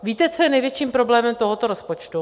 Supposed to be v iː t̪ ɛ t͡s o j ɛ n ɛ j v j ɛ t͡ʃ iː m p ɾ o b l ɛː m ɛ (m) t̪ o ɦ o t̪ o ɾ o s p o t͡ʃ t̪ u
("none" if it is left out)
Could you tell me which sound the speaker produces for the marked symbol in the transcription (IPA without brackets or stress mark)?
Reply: m